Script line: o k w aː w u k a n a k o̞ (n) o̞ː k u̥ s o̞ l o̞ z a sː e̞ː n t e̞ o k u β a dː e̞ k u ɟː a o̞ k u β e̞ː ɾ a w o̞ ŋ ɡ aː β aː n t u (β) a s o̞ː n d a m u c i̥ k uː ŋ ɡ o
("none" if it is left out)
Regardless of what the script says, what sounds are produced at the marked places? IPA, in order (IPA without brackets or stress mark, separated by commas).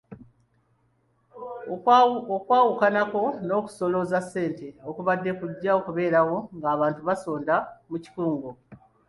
n, β